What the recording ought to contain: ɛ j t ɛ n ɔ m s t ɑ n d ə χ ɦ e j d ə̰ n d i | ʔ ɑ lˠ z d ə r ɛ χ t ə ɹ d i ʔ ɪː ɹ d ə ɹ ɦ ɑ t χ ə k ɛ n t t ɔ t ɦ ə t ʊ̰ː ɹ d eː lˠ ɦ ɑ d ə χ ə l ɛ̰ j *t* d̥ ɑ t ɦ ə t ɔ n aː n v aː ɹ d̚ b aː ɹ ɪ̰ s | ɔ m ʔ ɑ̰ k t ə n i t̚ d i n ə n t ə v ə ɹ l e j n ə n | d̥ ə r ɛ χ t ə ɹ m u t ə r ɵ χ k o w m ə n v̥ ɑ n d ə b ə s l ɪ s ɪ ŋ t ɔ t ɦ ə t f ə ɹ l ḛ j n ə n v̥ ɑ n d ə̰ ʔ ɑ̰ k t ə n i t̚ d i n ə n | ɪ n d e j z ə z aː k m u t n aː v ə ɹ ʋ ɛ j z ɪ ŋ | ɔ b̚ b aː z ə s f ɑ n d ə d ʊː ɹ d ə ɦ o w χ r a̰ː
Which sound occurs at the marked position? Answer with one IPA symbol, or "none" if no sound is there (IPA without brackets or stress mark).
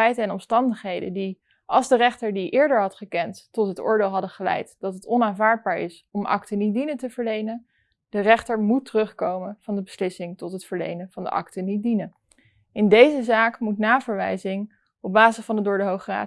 t